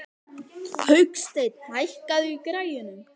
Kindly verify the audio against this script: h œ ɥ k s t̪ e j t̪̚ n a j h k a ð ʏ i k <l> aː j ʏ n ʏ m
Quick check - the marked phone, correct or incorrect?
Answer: incorrect